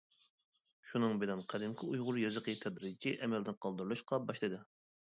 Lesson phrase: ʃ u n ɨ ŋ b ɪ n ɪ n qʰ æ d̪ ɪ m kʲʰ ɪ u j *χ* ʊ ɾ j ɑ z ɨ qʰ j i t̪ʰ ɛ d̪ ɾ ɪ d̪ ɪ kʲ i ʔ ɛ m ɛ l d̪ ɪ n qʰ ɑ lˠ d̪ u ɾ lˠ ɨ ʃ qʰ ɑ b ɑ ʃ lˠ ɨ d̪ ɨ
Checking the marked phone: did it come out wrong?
yes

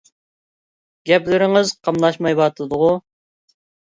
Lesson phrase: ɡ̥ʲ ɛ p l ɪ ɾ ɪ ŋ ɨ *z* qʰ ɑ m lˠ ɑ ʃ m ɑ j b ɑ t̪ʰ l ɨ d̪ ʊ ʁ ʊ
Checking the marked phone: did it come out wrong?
no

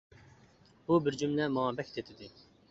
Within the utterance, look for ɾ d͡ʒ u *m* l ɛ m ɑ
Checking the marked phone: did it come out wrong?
no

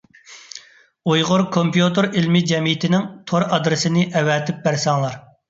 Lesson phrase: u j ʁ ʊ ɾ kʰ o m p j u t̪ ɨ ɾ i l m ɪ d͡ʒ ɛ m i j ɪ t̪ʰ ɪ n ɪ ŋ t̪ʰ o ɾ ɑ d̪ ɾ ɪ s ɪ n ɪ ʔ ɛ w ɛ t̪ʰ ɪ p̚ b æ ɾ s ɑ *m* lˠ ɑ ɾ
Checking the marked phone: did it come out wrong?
yes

